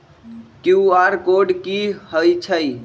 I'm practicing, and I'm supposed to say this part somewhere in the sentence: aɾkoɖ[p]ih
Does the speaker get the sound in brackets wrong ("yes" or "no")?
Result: yes